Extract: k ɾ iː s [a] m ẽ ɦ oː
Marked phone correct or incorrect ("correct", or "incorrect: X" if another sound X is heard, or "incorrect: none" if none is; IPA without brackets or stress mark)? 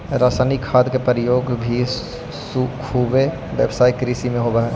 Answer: incorrect: i